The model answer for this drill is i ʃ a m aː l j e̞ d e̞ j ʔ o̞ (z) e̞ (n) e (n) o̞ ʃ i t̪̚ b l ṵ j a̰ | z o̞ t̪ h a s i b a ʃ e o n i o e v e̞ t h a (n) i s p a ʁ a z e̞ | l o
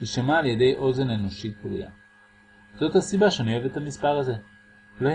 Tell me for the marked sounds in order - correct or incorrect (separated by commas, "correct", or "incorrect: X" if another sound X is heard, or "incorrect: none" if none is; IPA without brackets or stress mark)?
correct, correct, correct, incorrect: m